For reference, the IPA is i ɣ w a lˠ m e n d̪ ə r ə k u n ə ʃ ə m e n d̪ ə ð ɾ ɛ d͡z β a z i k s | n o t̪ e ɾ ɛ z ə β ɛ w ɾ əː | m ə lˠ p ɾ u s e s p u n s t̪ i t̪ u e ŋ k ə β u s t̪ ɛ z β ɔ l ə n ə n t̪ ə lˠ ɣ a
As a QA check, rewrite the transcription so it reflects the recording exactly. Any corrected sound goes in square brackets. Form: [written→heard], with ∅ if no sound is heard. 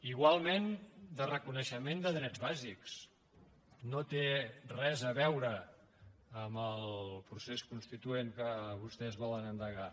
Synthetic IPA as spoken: i ɣ w a lˠ m e n d̪ ə r ə k u n ə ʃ ə m e n d̪ ə ð ɾ ɛ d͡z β a z i k s | n o t̪ e [ɾ→r] ɛ z ə β ɛ w ɾ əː | m ə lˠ p ɾ u s e s [p→k] u n s t̪ i t̪ u e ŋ k ə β u s t̪ ɛ z β ɔ l ə n ə n [t̪→d̪] ə [lˠ→∅] ɣ a